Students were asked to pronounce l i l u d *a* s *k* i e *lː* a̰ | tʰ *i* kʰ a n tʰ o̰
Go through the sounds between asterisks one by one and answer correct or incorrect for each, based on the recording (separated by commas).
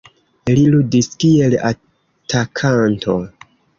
incorrect, correct, incorrect, incorrect